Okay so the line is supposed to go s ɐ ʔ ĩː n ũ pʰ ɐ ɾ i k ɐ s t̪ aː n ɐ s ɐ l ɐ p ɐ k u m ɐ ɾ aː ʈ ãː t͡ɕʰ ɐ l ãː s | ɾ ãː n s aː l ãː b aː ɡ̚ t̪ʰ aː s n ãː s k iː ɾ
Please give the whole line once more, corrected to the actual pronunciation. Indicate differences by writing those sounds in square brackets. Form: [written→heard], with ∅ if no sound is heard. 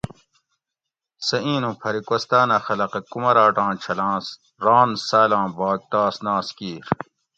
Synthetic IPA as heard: s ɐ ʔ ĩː n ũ pʰ ɐ ɾ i k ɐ s t̪ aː n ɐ [s→x] ɐ l ɐ [p→q] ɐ k u m ɐ ɾ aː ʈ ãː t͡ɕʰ ɐ l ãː s | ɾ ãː n s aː l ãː b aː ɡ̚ [t̪ʰ→t̪] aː s n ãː s k iː ɾ